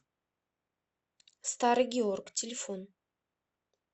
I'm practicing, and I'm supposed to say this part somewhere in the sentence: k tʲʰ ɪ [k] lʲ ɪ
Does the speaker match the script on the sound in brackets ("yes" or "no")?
no